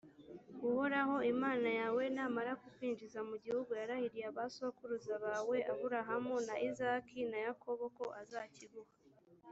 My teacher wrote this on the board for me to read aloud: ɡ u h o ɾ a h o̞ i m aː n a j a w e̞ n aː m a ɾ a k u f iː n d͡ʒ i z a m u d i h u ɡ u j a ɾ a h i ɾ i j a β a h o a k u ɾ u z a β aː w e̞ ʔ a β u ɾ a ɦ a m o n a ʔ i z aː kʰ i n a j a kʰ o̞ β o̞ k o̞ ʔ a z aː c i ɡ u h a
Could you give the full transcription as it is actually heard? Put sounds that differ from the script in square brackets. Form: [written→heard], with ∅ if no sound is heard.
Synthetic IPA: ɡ u h o ɾ a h o̞ i m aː n a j a w e̞ n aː m a ɾ a k u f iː n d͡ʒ i z a m u [d→ɟ] i h u ɡ u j a ɾ a h i ɾ i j a β a [h→s] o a k u ɾ u z a β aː w e̞ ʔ a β u ɾ a ɦ a m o n a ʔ i z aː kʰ i n a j a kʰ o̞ β o̞ k o̞ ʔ a z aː c i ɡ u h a